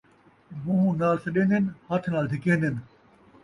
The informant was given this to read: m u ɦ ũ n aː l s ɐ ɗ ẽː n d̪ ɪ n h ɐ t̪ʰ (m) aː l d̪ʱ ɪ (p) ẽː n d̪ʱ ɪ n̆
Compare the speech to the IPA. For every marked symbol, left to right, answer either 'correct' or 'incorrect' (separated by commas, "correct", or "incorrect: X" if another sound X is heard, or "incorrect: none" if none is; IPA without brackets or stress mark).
incorrect: n, incorrect: k